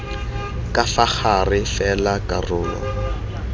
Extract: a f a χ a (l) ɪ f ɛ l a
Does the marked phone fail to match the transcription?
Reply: yes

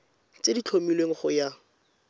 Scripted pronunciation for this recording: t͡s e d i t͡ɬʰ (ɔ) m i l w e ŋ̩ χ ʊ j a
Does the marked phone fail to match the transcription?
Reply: yes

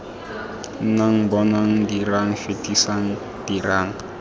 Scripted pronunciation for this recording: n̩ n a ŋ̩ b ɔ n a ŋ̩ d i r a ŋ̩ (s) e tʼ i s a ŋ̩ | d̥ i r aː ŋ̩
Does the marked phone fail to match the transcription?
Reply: yes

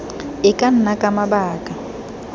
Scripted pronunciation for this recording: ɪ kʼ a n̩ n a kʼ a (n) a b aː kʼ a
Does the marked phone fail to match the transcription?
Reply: yes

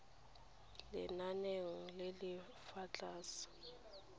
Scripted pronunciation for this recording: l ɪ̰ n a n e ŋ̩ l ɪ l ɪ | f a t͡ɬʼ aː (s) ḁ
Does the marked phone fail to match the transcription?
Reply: no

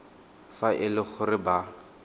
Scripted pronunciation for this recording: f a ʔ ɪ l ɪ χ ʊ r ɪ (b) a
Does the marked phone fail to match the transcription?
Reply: no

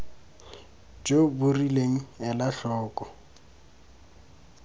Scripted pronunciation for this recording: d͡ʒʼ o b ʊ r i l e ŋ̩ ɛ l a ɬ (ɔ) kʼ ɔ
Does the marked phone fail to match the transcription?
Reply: yes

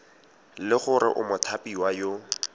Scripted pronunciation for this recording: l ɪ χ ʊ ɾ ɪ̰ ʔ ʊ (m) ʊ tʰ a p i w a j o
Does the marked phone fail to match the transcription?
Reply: no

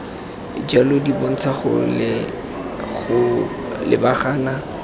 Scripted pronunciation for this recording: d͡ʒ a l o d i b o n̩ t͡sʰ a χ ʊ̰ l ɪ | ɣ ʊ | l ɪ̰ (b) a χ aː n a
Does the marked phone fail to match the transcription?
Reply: no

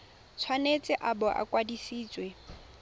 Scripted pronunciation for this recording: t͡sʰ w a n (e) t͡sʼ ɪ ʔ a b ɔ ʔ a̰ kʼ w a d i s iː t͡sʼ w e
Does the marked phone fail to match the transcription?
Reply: no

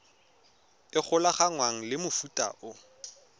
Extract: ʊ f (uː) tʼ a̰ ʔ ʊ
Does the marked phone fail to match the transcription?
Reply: yes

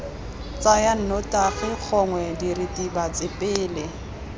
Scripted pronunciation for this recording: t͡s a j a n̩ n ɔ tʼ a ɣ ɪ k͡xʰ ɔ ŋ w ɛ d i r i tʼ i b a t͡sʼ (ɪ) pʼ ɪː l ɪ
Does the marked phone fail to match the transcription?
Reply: no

